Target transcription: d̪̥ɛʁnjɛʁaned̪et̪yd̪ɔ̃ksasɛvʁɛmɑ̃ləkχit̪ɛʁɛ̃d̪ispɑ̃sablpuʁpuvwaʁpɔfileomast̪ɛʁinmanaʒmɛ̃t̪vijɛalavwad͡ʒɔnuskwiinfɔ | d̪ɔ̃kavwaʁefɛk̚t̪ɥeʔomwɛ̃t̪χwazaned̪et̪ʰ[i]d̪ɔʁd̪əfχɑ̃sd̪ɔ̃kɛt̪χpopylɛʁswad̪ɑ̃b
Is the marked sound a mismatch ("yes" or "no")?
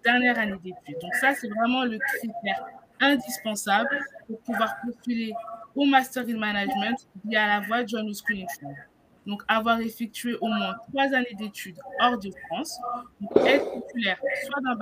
yes